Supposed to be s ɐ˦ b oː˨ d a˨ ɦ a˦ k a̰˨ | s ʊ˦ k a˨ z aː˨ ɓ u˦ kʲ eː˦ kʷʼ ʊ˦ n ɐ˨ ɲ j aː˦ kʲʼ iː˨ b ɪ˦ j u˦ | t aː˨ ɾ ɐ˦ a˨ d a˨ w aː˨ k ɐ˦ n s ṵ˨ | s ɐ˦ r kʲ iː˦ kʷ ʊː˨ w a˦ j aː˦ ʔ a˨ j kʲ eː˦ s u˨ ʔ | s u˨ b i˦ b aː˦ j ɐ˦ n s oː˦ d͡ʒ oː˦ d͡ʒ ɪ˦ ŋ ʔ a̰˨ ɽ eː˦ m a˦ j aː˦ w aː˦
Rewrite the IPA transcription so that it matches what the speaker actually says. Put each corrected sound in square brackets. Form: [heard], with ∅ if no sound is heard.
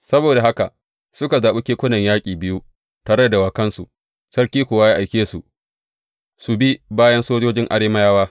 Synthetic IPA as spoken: s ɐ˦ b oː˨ d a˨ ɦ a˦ k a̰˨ | s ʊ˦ k a˨ z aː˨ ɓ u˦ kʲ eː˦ [kʷ] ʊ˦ n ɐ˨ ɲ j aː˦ kʲʼ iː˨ b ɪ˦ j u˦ | t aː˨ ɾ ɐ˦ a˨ d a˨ w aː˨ k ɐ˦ n s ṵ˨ | s ɐ˦ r kʲ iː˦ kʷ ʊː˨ w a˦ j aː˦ ʔ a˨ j kʲ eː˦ s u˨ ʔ | s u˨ b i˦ b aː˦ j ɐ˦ n s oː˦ d͡ʒ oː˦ d͡ʒ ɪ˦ ŋ ʔ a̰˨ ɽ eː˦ m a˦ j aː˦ w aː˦